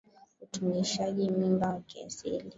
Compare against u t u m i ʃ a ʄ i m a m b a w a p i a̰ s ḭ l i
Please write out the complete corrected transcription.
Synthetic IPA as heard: u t u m i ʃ a ʄ i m i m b a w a k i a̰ s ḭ l i